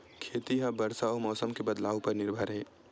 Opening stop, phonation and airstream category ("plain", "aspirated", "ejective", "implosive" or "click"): aspirated